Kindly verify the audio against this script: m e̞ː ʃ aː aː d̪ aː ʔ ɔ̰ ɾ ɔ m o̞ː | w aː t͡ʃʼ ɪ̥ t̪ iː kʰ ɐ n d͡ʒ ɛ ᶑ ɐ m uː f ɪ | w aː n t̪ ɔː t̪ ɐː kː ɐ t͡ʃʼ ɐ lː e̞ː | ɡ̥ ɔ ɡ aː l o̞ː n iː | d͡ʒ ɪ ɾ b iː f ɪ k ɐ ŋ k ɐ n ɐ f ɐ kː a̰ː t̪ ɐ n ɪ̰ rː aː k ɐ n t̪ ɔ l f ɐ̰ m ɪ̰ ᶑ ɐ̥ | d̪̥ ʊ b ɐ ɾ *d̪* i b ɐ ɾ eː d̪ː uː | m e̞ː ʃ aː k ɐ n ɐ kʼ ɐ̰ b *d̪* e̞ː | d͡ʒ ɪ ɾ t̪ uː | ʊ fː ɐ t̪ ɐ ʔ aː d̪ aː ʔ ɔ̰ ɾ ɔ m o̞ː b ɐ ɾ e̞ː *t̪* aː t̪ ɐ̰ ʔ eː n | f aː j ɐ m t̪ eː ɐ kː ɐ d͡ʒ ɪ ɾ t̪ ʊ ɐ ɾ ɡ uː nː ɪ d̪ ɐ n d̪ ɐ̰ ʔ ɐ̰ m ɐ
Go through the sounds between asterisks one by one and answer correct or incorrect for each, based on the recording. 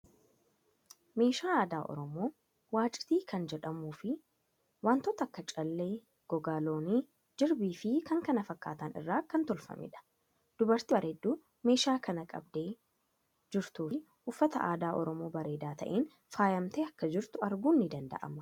incorrect, correct, incorrect

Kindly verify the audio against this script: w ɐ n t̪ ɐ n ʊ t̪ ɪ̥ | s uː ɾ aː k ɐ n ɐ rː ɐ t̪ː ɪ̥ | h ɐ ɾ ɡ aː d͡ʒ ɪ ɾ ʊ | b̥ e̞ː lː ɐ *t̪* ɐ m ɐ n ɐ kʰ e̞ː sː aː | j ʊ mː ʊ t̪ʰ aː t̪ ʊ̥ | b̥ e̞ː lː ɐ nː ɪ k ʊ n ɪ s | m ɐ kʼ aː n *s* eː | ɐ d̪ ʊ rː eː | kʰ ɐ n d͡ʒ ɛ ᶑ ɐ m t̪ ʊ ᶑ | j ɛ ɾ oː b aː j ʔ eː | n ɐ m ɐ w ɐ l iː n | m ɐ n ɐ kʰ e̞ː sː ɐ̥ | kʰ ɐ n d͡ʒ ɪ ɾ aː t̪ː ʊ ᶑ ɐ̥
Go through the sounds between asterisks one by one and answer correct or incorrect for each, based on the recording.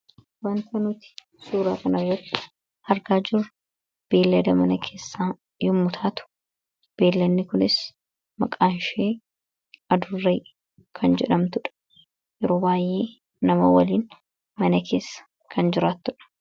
incorrect, incorrect

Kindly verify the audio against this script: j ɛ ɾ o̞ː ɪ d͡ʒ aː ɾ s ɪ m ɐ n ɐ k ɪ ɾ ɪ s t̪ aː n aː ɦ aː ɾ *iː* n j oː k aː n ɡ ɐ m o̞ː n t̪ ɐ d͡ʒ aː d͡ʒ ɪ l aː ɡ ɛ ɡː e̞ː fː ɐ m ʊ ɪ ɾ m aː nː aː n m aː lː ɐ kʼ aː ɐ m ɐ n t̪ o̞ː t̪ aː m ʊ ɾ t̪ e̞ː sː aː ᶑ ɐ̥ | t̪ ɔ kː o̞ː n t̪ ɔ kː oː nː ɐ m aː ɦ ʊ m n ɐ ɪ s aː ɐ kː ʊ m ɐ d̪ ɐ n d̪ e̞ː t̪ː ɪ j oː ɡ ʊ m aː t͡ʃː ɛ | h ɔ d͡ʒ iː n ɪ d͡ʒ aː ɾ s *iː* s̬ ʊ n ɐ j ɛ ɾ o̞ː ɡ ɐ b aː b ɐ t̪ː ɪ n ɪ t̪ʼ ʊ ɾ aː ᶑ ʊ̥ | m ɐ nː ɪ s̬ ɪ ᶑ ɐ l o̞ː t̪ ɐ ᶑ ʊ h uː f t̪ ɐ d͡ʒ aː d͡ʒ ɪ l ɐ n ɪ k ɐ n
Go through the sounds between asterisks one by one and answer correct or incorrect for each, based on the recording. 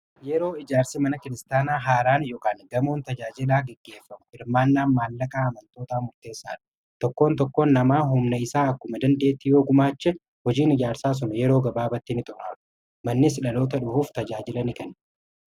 incorrect, incorrect

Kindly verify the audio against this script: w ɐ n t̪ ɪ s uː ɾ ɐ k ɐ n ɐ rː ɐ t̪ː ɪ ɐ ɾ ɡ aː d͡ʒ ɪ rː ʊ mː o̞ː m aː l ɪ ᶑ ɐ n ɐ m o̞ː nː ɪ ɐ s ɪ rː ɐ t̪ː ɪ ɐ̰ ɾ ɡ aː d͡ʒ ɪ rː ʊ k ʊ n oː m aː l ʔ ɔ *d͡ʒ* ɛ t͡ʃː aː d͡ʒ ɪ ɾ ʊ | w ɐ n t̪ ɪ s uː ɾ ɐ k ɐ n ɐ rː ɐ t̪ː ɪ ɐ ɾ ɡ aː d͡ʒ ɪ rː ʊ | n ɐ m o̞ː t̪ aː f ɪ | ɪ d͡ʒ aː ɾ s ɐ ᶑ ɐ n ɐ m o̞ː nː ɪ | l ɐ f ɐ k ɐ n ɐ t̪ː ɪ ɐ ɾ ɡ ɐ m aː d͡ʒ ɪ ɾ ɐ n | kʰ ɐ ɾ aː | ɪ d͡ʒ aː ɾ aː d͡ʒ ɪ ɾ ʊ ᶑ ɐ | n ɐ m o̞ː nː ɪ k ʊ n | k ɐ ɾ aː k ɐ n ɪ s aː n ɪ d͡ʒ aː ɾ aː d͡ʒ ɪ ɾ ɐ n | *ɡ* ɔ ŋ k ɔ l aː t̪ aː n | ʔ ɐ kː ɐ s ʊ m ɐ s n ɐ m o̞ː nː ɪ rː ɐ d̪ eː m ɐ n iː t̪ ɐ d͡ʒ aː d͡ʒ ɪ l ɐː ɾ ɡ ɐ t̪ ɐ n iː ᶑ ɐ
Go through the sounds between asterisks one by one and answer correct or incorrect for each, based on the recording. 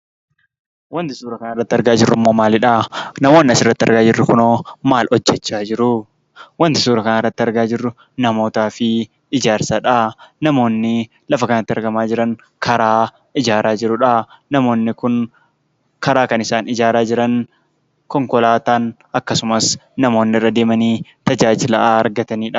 incorrect, incorrect

